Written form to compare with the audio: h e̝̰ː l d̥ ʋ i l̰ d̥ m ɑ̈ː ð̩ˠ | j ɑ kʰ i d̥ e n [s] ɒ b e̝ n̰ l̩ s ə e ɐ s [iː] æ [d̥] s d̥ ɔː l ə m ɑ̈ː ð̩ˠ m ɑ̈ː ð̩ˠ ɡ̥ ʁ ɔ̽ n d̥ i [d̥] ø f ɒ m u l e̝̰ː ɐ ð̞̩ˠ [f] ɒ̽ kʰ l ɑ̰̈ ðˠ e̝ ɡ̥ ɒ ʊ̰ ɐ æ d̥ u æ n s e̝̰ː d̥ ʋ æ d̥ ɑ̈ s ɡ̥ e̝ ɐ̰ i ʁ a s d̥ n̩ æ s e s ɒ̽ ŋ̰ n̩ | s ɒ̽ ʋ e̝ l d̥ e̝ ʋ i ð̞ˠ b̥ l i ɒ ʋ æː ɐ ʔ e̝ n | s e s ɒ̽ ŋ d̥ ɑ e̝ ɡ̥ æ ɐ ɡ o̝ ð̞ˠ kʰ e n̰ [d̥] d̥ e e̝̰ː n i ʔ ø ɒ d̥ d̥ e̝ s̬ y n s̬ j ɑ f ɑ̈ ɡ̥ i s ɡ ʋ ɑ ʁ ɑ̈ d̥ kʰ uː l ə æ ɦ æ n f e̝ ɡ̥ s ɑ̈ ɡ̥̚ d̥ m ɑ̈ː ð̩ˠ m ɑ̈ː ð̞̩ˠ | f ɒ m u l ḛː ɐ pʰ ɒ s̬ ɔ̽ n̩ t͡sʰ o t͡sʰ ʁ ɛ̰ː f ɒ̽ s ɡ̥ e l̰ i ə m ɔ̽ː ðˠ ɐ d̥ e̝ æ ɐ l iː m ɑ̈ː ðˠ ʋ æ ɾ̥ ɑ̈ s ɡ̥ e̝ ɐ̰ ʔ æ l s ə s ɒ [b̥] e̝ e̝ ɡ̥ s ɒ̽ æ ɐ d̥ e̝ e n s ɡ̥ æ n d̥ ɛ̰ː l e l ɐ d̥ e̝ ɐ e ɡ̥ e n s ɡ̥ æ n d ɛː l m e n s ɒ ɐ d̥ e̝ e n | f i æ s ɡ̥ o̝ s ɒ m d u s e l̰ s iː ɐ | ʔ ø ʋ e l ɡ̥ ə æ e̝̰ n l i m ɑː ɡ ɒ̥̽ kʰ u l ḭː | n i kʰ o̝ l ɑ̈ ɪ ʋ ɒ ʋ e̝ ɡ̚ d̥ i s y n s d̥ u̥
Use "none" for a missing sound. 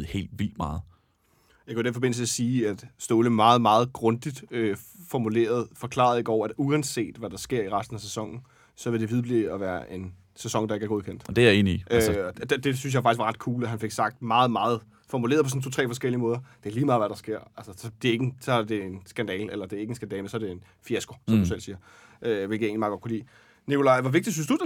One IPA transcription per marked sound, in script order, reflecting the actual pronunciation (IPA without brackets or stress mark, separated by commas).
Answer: f, iː, d̥, d̥, f, d̥, d̥